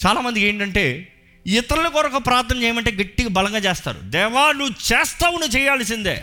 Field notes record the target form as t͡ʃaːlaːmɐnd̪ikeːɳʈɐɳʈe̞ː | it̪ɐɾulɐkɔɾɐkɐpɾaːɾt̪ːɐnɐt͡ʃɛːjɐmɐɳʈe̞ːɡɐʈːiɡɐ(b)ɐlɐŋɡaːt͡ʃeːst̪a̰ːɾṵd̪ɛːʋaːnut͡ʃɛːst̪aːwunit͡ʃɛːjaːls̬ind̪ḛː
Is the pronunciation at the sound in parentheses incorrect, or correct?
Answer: correct